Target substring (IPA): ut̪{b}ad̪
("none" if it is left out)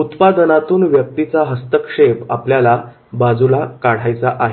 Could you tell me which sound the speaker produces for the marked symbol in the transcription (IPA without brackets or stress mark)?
p